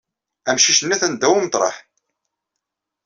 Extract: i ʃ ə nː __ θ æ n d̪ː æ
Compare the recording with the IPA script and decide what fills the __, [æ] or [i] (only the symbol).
æ